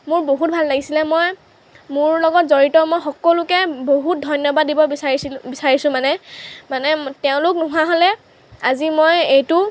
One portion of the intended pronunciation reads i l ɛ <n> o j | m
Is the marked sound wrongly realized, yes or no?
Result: yes